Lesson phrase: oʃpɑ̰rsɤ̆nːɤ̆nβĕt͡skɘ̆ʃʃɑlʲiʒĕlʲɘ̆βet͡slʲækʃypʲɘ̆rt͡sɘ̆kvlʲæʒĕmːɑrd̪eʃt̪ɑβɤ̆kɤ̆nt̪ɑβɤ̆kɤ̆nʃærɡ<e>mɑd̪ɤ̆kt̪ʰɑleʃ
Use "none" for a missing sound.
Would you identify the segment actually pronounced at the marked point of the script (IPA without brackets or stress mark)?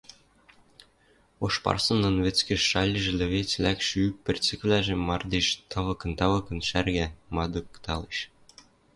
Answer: æ